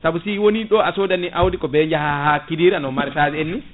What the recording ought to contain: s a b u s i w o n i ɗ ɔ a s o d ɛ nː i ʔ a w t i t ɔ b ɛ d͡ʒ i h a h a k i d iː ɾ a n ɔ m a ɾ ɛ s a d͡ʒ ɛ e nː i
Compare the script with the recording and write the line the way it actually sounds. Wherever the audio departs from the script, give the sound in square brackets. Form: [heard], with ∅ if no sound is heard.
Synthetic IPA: s a b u s i w o n i ɗ ɔ a s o d [a] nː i ʔ a w [d] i [k] ɔ b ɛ d͡ʒ [a] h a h a k i d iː ɾ a n ɔ m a ɾ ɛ s a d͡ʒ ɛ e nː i